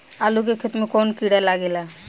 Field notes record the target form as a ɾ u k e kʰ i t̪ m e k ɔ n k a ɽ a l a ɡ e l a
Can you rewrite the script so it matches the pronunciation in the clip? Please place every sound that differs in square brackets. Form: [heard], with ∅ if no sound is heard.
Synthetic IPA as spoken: a [l] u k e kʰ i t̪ m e k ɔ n k [i] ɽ a l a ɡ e l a